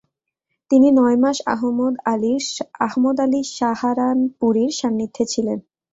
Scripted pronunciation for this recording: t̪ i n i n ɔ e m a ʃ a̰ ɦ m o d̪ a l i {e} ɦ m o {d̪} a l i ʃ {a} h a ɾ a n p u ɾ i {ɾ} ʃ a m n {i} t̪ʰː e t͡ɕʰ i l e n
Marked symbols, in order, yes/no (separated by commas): no, yes, yes, yes, yes